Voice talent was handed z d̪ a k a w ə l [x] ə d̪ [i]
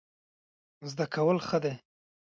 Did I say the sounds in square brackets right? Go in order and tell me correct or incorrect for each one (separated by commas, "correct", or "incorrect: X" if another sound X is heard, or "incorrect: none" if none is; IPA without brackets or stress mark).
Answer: correct, incorrect: e